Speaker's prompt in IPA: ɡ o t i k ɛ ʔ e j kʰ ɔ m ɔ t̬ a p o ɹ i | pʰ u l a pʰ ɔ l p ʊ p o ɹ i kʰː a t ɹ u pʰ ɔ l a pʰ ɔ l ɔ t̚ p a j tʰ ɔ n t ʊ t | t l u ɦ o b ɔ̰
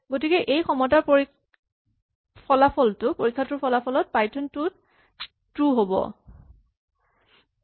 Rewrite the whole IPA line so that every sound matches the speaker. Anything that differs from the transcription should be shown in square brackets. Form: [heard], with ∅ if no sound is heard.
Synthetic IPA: ɡ o t i k ɛ ʔ e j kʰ ɔ m ɔ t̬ a p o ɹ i | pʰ [ɔ] l a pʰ ɔ l [t] ʊ p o ɹ i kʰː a t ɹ u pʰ ɔ l a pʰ ɔ l ɔ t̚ p a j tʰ ɔ n t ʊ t | t [ɹ] u ɦ o b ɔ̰